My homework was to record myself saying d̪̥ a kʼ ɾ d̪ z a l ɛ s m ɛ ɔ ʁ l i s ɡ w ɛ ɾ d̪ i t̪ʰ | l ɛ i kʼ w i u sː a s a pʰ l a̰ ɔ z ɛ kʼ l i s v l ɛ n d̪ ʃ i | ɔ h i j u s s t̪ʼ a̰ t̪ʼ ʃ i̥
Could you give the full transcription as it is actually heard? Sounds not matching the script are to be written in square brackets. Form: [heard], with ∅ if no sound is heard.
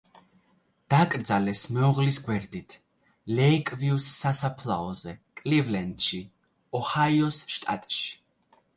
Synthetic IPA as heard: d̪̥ a kʼ ɾ d̪ z a l ɛ s m ɛ ɔ ʁ l i s ɡ w ɛ ɾ d̪ i t̪ʰ | l ɛ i kʼ [v] i u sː a s a pʰ l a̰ ɔ z ɛ kʼ l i [∅] v l ɛ n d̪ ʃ i | ɔ h [a] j [ɔ] s [ʃ] t̪ʼ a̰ t̪ʼ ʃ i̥